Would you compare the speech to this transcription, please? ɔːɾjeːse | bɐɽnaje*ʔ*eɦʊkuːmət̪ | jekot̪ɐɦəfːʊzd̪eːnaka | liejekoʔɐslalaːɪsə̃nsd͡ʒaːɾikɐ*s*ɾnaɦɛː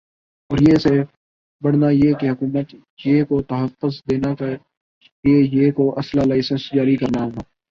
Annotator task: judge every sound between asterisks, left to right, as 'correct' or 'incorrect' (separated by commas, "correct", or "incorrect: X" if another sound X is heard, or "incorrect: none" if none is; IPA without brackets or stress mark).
incorrect: k, incorrect: none